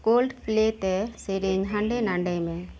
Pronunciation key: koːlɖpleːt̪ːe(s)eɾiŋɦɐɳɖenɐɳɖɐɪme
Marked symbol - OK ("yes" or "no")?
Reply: yes